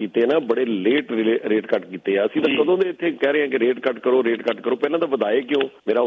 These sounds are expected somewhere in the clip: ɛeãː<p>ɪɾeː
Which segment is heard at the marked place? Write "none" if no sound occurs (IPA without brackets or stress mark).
k